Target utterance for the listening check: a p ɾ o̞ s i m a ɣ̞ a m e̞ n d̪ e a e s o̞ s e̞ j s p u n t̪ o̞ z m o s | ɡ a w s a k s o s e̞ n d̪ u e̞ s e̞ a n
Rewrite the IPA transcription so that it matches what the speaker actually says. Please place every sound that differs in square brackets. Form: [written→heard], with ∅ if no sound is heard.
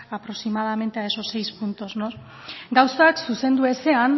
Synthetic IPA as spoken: a p ɾ o̞ s i m a [ɣ̞→ð̞] a m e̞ n [d̪→t̪] e a e s o̞ s e̞ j s p u n t̪ o̞ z [m→n] o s | ɡ a w s a k s [o→u] s e̞ n d̪ u e̞ s e̞ a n